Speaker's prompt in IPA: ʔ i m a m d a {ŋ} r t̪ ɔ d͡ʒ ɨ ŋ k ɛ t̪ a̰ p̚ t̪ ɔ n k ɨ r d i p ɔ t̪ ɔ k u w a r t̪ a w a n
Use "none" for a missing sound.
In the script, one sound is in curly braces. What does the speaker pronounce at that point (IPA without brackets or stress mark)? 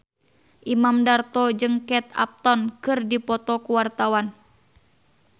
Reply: none